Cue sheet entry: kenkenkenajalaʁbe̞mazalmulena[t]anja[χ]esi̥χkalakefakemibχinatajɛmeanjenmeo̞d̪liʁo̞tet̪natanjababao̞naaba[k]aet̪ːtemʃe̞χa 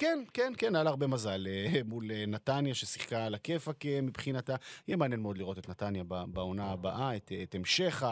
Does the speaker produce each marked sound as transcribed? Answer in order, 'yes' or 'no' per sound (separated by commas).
yes, no, no